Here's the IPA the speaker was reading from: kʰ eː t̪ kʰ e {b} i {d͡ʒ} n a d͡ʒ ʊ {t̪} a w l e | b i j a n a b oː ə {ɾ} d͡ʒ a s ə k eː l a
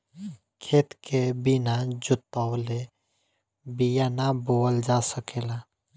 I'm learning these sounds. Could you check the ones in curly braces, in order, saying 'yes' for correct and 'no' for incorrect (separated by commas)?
yes, no, yes, no